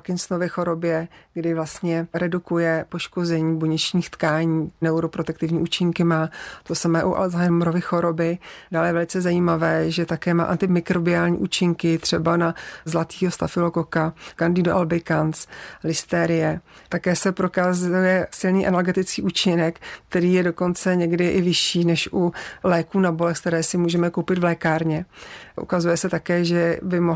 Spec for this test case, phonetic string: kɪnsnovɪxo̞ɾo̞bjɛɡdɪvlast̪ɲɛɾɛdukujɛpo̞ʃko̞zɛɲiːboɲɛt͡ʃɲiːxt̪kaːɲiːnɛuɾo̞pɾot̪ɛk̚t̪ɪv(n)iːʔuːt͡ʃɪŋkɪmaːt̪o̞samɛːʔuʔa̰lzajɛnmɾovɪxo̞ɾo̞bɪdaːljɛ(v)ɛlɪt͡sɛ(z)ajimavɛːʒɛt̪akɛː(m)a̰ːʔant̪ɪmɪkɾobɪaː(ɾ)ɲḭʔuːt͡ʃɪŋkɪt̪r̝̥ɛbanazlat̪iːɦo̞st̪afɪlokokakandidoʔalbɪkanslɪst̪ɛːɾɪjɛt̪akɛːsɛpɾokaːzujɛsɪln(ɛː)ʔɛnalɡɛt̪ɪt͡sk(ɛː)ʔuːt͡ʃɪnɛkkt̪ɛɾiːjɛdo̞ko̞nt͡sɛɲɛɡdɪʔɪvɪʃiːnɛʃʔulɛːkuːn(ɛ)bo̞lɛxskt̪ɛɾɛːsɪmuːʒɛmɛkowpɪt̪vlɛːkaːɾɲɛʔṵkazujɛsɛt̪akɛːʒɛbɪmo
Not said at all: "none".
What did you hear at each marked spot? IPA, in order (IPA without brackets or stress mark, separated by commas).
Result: ɲ, v, z, m, l, iː, iː, a